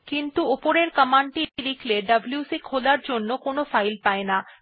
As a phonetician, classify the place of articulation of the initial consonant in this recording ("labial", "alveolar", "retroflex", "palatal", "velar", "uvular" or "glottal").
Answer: velar